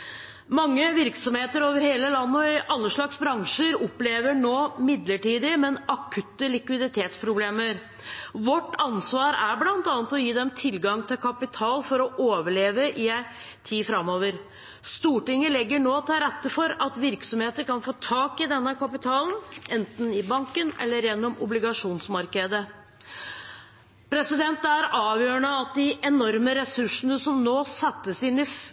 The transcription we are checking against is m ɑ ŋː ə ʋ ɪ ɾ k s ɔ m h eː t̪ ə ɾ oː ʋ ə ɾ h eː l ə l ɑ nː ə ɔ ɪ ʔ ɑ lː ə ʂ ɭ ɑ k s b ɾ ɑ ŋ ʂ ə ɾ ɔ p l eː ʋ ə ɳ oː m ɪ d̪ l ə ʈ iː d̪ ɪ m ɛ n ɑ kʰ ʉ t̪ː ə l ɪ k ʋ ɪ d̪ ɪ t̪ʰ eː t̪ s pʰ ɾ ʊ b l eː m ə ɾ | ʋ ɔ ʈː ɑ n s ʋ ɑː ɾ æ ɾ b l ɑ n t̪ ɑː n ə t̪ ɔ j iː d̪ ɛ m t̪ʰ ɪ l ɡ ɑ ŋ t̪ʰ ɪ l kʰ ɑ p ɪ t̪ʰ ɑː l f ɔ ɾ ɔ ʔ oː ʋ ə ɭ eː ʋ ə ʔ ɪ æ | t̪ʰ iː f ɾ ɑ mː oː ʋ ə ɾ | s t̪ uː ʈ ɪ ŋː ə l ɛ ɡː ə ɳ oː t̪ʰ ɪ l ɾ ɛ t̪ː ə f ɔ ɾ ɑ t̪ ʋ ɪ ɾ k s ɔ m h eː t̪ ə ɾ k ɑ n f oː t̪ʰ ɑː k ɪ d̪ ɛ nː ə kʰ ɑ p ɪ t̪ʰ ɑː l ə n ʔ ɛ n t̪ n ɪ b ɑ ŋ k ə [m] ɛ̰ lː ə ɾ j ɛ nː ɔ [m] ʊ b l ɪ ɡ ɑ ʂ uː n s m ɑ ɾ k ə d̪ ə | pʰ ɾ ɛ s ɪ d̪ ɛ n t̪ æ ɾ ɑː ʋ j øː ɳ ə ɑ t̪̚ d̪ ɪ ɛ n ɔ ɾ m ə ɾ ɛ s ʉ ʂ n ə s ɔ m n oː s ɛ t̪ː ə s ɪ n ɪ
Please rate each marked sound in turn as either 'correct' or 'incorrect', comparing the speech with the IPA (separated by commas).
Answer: incorrect, correct